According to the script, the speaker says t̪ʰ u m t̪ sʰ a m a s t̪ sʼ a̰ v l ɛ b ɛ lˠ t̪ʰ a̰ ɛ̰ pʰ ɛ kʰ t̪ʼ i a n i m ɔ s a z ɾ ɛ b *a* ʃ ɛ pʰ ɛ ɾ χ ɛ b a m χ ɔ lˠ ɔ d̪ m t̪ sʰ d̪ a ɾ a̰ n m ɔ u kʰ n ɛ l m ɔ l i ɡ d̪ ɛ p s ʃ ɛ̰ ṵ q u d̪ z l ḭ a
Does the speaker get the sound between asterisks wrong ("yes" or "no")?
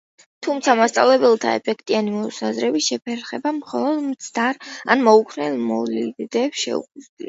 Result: yes